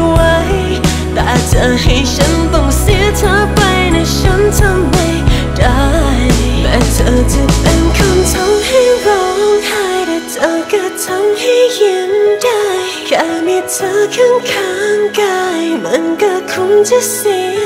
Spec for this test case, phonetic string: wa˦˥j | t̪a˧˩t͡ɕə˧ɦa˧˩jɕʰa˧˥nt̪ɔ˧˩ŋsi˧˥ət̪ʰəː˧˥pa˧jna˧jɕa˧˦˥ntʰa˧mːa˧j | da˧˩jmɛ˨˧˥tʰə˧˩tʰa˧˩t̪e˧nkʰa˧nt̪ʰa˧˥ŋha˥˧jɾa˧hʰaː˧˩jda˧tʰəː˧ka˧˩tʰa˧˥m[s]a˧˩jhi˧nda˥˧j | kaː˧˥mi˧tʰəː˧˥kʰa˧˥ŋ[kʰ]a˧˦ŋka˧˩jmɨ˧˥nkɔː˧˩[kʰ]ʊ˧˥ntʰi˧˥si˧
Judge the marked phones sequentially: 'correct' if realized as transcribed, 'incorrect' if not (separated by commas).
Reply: incorrect, correct, correct